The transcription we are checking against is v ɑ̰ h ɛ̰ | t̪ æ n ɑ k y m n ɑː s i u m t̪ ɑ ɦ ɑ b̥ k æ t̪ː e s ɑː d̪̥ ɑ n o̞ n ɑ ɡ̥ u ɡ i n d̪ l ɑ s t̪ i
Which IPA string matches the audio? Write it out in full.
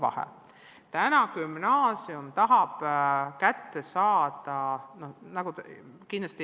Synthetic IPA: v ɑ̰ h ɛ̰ | t̪ æ n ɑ k y m n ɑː s i u m t̪ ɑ ɦ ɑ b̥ k æ t̪ː e s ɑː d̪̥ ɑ n o̞ n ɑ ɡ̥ u k i n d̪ l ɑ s t̪ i